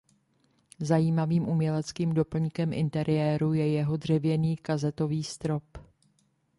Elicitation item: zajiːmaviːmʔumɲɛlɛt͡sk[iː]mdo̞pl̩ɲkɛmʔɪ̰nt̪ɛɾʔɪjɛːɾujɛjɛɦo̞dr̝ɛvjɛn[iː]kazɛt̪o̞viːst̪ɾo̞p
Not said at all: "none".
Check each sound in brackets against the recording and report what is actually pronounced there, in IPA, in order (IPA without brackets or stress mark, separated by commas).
iː, iː